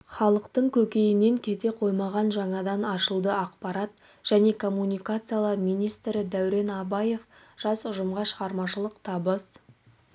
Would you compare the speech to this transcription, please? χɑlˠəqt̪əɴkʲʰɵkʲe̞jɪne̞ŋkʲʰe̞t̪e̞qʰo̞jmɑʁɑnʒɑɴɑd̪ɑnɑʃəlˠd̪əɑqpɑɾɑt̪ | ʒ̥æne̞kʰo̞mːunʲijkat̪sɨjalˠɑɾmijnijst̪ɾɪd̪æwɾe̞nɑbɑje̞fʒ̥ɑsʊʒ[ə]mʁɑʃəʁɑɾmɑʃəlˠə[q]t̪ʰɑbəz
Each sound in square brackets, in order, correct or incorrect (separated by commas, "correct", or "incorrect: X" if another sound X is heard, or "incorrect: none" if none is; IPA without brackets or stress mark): correct, correct